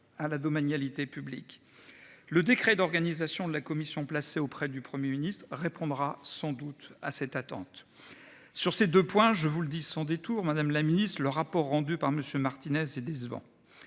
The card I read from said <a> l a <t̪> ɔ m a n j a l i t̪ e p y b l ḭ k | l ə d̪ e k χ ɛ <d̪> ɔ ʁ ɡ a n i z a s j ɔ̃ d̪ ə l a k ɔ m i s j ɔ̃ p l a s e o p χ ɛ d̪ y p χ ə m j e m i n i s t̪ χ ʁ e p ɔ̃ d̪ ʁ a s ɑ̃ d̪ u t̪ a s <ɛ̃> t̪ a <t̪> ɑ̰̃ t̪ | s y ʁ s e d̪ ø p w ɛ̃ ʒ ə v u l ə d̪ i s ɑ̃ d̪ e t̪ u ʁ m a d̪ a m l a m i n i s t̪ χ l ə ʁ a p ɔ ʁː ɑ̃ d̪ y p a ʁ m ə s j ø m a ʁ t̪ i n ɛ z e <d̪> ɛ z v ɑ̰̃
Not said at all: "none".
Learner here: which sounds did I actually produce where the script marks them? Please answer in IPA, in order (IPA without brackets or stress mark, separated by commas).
a, d̪, d̪, ɛ, t̪, d̪